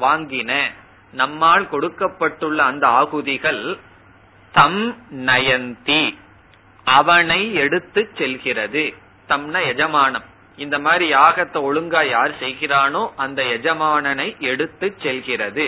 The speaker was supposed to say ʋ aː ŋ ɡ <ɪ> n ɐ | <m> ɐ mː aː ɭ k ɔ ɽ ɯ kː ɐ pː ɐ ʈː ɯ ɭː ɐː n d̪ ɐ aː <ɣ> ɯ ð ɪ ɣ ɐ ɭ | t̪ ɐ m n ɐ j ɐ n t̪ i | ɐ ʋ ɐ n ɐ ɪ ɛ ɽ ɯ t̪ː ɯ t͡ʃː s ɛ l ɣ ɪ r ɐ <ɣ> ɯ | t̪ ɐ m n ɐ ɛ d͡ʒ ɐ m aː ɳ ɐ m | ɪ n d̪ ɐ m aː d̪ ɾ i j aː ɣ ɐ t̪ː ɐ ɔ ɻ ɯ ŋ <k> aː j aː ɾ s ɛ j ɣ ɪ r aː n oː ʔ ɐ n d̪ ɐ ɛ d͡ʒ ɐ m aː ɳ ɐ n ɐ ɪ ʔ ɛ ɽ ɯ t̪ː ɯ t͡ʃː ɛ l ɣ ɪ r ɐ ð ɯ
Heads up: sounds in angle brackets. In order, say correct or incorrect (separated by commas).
correct, incorrect, correct, incorrect, incorrect